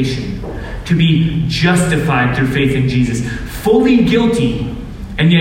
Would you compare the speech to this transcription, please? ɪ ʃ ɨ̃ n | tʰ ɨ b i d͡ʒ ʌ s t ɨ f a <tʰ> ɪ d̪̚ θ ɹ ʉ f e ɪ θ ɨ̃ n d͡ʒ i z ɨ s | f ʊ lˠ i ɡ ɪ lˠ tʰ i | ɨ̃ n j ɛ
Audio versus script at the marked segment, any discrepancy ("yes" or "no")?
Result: yes